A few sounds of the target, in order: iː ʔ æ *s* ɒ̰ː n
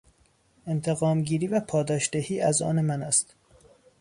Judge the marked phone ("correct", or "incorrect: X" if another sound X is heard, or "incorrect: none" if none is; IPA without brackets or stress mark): incorrect: z